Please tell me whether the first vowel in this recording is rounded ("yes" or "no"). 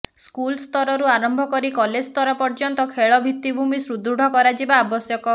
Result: yes